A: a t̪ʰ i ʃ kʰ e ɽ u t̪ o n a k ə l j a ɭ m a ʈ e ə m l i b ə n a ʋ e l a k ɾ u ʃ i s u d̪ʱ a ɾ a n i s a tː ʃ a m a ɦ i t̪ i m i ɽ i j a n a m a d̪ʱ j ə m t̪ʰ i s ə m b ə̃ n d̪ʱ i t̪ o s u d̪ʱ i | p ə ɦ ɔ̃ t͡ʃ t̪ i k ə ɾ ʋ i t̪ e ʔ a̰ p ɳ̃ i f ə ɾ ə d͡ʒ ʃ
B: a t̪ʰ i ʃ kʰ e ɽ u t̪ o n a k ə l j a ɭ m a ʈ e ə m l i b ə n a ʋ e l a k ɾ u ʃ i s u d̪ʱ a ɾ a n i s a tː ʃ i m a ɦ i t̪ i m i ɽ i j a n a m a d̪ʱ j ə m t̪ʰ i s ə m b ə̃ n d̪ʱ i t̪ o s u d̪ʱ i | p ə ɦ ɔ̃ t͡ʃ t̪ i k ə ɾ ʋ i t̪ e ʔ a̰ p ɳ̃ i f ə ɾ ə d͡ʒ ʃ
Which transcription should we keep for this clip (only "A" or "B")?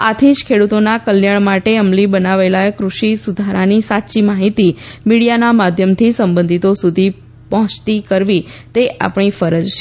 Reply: B